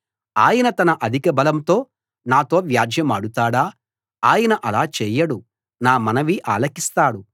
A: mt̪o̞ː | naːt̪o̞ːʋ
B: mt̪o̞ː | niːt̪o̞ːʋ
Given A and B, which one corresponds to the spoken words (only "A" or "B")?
A